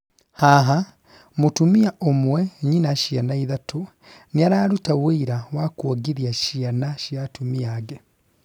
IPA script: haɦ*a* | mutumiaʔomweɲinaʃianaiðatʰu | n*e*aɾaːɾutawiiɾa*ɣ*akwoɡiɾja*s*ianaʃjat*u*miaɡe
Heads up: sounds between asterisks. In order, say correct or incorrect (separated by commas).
correct, incorrect, incorrect, incorrect, correct